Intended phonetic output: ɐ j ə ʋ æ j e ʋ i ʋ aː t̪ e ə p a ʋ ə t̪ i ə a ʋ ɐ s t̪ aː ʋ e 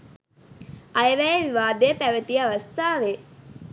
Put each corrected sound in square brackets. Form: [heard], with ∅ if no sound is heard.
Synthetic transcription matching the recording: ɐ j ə ʋ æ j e ʋ i ʋ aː [d̪] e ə p [æ] ʋ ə t̪ i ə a ʋ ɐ s t̪ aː ʋ e